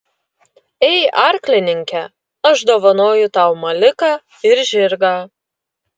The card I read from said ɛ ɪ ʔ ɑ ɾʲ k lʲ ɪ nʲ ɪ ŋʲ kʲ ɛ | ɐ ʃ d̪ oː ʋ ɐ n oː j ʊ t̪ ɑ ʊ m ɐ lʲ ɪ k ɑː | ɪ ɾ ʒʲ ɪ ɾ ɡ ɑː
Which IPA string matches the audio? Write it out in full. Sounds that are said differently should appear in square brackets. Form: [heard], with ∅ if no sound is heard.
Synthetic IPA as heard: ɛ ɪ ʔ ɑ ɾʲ k lʲ ɪ nʲ ɪ ŋʲ kʲ ɛ | ɐ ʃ d̪ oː ʋ ɐ n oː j ʊ t̪ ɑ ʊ m ɐ lʲ ɪ k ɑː | ɪ ɾ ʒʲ ɪ ɾ ɡ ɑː